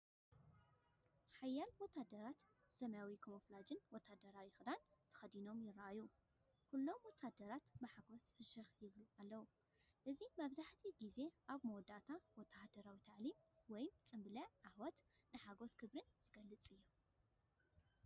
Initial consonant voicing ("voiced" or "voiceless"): voiceless